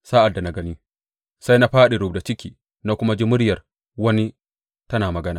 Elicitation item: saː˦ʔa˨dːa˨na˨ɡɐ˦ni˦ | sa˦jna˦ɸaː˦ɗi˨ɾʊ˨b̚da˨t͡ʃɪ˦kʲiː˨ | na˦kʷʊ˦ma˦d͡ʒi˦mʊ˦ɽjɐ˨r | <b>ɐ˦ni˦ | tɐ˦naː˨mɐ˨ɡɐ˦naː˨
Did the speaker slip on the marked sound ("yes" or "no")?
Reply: yes